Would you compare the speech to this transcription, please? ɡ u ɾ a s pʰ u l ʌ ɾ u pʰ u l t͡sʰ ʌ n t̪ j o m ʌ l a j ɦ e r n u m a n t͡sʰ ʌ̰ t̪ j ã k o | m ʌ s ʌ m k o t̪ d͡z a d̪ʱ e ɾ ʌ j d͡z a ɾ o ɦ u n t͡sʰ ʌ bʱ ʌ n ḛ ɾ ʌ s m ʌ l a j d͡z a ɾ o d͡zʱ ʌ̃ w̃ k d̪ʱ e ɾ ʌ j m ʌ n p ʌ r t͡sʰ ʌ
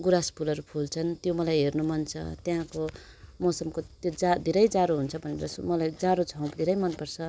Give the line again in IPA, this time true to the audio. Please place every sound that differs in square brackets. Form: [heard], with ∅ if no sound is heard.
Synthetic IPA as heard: ɡ u ɾ a s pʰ u l ʌ ɾ u pʰ u l t͡sʰ ʌ n t̪ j o m ʌ l a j ɦ e r n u m [ʌ] n t͡sʰ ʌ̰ t̪ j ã k o | m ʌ s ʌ m k o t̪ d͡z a d̪ʱ e ɾ ʌ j d͡z a ɾ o ɦ u n t͡sʰ ʌ bʱ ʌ n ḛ ɾ ʌ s m ʌ l a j d͡z a ɾ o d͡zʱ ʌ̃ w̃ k d̪ʱ e ɾ ʌ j m ʌ n p ʌ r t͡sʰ ʌ